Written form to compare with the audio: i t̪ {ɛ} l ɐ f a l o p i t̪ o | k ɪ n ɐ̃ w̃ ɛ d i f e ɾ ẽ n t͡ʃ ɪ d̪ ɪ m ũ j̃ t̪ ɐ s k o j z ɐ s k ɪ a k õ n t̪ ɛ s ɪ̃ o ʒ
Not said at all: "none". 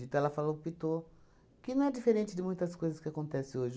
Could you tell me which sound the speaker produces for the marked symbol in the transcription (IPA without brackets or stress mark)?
ɛ